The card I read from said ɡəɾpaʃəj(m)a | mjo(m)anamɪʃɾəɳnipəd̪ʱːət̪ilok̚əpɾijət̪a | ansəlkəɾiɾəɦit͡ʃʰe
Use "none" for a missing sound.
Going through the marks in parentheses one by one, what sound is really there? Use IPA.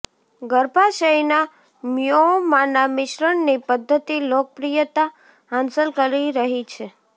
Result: n, m

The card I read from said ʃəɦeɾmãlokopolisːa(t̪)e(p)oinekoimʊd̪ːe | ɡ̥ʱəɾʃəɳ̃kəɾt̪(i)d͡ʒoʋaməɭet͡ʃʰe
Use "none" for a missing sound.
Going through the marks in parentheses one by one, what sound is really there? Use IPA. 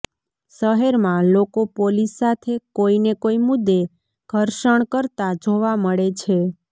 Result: t̪ʰ, k, a

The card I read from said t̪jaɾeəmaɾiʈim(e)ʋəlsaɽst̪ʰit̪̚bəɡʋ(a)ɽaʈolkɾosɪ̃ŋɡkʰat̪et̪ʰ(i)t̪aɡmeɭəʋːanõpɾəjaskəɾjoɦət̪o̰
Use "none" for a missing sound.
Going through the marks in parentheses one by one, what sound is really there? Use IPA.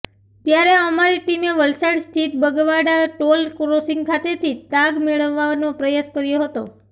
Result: e, a, i

